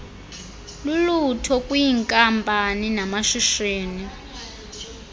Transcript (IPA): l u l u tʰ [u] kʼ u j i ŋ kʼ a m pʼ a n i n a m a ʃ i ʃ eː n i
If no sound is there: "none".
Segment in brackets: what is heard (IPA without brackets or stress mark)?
ɔ